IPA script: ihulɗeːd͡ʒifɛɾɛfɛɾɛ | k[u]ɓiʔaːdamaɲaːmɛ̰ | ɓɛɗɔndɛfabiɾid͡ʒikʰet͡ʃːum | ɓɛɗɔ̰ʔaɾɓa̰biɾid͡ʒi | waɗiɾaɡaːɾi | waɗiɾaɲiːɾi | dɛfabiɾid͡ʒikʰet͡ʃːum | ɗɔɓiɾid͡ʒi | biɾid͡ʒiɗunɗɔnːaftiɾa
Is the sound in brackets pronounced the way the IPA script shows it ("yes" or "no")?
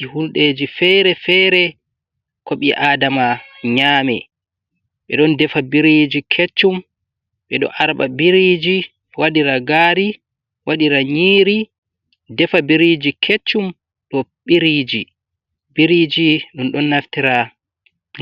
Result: no